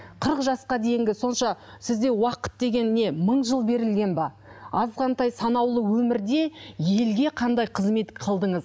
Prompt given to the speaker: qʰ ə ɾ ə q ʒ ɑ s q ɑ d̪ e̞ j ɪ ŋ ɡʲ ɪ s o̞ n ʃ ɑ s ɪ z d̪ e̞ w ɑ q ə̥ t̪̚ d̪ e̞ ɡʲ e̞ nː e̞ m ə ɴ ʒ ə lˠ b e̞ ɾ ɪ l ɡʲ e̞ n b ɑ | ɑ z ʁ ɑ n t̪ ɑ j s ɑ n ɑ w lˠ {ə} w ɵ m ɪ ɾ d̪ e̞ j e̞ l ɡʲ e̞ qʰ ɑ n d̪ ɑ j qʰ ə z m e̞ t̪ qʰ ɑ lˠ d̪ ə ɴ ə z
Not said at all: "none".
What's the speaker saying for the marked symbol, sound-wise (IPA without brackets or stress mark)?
ə